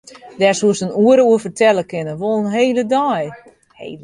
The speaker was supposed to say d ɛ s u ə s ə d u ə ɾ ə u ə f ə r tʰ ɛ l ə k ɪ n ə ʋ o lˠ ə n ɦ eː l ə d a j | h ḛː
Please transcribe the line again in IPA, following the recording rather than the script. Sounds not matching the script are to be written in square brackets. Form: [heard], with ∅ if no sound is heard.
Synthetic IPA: d ɛ s u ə s ə [n] u ə ɾ ə u ə f ə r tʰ ɛ l ə k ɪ n ə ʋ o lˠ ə n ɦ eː l ə d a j | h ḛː